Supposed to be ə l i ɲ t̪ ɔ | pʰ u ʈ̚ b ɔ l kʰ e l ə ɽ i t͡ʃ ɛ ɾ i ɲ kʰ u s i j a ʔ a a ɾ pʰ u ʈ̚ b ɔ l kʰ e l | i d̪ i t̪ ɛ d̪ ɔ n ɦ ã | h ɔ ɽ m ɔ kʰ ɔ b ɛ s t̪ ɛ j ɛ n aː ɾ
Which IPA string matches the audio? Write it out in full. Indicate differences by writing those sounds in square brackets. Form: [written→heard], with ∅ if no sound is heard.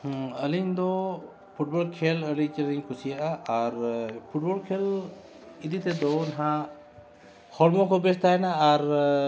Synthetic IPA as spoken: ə l i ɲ [t̪→d̪] ɔ | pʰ u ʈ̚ b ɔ l kʰ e l ə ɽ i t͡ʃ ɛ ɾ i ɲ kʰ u s i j a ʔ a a ɾ pʰ u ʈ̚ b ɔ l kʰ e l | i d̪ i t̪ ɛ d̪ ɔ n ɦ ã | h ɔ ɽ m ɔ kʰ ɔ b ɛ s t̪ [ɛ→a] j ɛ n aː ɾ